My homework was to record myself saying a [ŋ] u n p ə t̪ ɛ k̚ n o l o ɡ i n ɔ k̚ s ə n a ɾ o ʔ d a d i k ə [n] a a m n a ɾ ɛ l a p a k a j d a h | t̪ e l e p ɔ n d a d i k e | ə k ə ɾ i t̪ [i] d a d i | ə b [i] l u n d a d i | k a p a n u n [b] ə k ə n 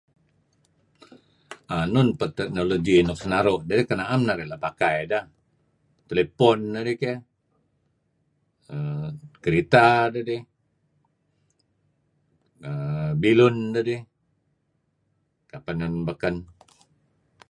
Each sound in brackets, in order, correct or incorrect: incorrect: n, correct, incorrect: a, correct, correct

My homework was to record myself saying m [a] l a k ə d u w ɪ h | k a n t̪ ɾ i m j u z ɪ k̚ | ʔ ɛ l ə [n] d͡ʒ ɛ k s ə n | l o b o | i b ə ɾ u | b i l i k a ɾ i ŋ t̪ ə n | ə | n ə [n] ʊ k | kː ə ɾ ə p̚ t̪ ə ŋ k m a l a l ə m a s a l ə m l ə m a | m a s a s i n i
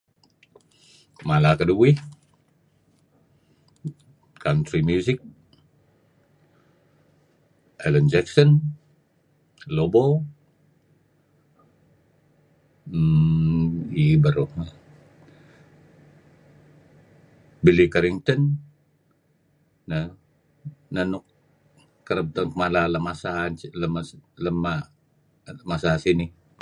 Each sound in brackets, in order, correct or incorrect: correct, correct, correct

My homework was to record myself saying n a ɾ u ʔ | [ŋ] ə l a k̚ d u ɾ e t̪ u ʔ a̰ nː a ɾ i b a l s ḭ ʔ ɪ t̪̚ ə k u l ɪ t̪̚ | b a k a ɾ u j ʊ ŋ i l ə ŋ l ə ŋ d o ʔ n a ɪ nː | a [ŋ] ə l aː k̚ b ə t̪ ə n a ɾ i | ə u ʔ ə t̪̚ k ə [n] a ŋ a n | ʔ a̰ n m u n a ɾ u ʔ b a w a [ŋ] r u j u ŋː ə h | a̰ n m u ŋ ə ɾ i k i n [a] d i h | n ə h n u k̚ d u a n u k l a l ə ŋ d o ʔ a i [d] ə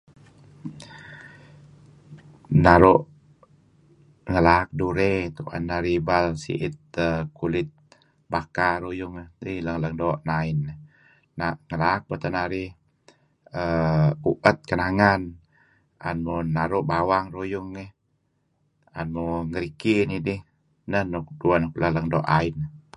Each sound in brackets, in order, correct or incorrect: correct, correct, correct, correct, incorrect: i, incorrect: n

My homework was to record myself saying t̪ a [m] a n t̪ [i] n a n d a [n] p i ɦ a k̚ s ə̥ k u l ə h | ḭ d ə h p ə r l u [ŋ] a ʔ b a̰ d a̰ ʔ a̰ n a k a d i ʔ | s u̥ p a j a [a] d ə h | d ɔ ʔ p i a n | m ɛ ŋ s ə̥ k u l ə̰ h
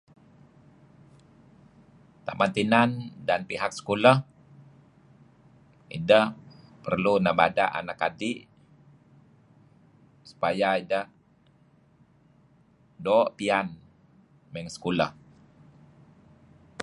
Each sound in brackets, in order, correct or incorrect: correct, correct, correct, incorrect: n, incorrect: i

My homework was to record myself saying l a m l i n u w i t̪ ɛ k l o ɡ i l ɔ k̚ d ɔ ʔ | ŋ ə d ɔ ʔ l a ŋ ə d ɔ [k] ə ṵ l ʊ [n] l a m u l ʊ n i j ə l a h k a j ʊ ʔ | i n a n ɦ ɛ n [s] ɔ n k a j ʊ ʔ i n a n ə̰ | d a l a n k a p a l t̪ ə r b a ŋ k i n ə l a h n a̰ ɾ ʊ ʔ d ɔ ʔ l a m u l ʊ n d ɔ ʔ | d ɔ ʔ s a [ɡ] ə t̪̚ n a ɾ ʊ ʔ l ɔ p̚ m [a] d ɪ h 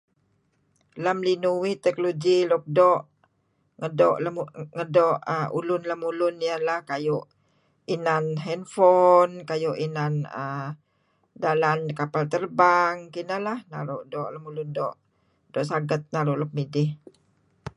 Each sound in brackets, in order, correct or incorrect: incorrect: ʔ, correct, incorrect: f, correct, incorrect: i

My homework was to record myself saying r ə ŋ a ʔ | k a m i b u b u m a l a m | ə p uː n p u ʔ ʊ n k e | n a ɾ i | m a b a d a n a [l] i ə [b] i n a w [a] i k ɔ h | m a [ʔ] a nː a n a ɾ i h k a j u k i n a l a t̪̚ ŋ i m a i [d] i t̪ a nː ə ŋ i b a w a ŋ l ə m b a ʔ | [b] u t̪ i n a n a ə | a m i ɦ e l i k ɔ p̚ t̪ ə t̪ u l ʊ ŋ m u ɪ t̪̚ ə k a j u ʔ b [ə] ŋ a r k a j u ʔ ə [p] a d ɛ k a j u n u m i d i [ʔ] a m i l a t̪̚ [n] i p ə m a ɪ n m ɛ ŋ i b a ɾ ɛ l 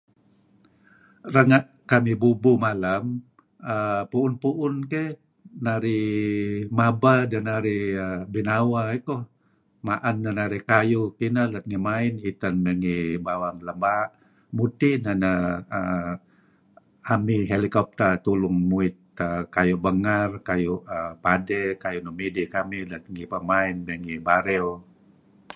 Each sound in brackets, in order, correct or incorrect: incorrect: ɾ, correct, correct, correct, incorrect: n, incorrect: m, correct, correct, incorrect: k, incorrect: ŋ

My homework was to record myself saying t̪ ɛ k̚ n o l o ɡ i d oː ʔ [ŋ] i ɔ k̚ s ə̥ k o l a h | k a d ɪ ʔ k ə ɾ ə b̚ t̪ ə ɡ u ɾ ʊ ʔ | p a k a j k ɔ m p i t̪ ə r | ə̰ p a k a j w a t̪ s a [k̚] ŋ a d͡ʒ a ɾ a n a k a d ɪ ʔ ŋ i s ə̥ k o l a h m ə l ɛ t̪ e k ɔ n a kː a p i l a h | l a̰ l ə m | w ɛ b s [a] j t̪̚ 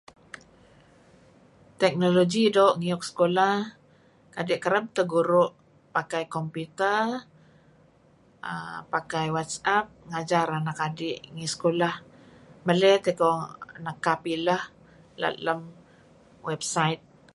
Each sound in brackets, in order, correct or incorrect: correct, incorrect: p̚, correct

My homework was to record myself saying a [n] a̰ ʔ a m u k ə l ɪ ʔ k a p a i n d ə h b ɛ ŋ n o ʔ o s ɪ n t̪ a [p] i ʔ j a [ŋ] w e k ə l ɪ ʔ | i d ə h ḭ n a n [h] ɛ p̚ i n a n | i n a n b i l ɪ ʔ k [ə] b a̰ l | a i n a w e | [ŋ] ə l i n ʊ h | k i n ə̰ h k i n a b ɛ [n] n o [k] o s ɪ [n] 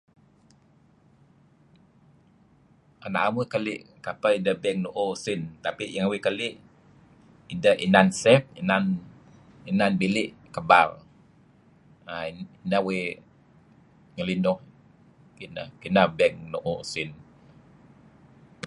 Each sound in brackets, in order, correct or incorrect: correct, correct, correct, incorrect: s, correct, correct, incorrect: ŋ, incorrect: ʔ, correct

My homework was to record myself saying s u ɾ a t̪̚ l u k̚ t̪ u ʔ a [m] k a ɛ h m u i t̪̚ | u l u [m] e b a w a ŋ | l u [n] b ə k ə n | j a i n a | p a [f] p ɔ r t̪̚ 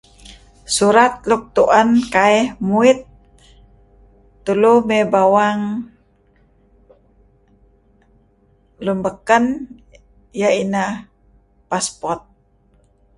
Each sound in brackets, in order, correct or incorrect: incorrect: n, correct, incorrect: m, incorrect: s

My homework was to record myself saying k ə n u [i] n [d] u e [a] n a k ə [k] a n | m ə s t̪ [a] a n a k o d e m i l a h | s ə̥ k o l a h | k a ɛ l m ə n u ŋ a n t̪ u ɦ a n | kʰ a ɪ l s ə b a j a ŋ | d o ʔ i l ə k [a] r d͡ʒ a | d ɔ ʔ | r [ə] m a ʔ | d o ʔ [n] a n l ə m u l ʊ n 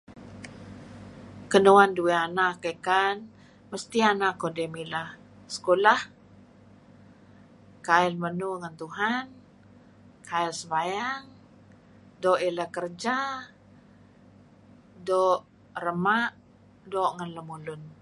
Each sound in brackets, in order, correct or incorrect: incorrect: a, correct, correct, correct, incorrect: i, incorrect: ə, correct, incorrect: ŋ

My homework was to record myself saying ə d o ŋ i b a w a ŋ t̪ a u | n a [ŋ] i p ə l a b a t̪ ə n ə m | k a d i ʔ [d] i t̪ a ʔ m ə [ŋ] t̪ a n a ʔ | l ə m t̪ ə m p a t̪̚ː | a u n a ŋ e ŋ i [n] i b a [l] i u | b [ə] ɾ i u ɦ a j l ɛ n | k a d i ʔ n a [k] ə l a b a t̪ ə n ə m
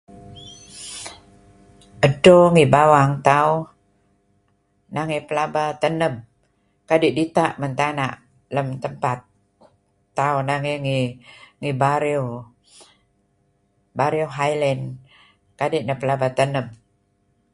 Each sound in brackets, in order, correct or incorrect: correct, correct, incorrect: n, incorrect: ŋ, incorrect: ɾ, incorrect: a, incorrect: p

